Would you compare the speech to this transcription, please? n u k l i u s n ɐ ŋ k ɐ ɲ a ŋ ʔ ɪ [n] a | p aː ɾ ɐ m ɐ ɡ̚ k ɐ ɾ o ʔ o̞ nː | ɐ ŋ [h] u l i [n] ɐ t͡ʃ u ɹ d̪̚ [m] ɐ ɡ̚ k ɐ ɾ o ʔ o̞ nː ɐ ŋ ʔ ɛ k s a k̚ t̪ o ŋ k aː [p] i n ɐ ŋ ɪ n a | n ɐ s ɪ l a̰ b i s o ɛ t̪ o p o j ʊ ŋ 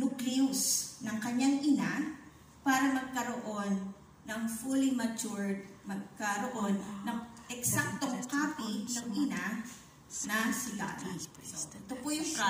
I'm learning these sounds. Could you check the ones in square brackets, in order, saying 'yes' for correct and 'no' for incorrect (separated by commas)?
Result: yes, no, no, yes, yes